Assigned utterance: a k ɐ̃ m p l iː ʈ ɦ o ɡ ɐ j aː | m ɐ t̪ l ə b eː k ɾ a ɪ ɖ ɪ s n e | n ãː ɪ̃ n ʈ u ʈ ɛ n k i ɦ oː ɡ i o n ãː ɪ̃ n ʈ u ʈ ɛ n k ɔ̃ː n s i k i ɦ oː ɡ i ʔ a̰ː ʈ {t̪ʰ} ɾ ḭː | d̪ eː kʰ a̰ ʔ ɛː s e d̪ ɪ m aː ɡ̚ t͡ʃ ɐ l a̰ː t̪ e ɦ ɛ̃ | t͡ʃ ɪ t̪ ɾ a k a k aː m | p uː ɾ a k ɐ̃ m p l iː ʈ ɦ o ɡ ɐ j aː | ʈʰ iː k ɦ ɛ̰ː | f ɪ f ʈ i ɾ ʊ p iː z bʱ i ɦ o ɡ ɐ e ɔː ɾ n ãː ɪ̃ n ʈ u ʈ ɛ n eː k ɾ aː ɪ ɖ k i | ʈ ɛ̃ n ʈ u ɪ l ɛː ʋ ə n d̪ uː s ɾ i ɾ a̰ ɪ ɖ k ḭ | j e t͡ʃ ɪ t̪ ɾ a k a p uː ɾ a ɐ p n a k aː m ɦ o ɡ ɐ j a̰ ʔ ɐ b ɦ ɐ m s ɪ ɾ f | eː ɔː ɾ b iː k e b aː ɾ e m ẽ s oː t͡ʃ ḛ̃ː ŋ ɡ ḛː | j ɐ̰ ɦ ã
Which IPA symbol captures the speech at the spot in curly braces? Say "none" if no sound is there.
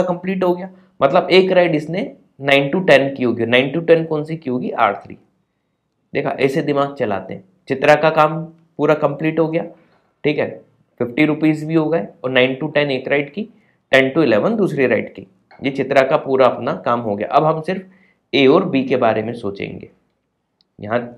t̪ʰ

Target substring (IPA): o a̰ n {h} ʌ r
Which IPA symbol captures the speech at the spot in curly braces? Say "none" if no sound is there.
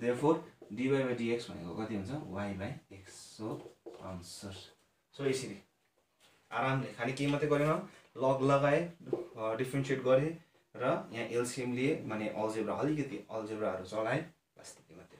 s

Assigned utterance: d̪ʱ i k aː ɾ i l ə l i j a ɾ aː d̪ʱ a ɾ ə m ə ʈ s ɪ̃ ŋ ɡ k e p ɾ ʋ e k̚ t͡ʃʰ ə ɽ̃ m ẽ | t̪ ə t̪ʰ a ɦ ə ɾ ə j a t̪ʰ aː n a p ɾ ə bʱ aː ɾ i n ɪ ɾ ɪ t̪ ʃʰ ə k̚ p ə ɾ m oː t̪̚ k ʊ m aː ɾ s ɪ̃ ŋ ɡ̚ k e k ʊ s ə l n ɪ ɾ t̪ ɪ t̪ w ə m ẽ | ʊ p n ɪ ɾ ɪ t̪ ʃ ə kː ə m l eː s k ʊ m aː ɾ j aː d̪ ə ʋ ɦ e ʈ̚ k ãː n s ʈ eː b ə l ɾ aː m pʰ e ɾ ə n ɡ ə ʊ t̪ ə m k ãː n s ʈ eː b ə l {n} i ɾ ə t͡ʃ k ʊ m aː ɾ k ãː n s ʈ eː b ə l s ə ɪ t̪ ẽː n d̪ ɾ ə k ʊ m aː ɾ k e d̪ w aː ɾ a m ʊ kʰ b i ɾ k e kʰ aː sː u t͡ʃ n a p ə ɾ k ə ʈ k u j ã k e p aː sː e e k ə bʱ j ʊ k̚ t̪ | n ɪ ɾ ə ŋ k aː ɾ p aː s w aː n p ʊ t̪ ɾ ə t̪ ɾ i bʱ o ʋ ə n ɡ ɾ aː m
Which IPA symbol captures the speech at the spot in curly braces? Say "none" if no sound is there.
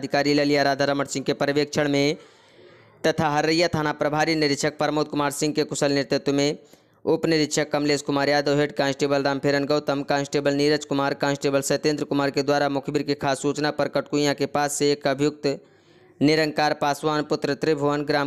n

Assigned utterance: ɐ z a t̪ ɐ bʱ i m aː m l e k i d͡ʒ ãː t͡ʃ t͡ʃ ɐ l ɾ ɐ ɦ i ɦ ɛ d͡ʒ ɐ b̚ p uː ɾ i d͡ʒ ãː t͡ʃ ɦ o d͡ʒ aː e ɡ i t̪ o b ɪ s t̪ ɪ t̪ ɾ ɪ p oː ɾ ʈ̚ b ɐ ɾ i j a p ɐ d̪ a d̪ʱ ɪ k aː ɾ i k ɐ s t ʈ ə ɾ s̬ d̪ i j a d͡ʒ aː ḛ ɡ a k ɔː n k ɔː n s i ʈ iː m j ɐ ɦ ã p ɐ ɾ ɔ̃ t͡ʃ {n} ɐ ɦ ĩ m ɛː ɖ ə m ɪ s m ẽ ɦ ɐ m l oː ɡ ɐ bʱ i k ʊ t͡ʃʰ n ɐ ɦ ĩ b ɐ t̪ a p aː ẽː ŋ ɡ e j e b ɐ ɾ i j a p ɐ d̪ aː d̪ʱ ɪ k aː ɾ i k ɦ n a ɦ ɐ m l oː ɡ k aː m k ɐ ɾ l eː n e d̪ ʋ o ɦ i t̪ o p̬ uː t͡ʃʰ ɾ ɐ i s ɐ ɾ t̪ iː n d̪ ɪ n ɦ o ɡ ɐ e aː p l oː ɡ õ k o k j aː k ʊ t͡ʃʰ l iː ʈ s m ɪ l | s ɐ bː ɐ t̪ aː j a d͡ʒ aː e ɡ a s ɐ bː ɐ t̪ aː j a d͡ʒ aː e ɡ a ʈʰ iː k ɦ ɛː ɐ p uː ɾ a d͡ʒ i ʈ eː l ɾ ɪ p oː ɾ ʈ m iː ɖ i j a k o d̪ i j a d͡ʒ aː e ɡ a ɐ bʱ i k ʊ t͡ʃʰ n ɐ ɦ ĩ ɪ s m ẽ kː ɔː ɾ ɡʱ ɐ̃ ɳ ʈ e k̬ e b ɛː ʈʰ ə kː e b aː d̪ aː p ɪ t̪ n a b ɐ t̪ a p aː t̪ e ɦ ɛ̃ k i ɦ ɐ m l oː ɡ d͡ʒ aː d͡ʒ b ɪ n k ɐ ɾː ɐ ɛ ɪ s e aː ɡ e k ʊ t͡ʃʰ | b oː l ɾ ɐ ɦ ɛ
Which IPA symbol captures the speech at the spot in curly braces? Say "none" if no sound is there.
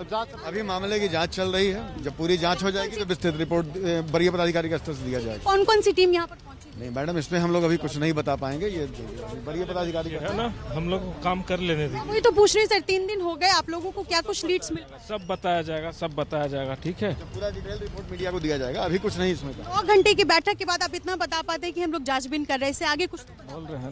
n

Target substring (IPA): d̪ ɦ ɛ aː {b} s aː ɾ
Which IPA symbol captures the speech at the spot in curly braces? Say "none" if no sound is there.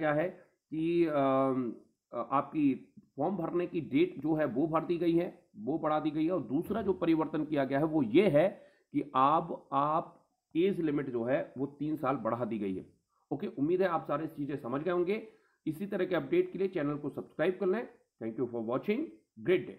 p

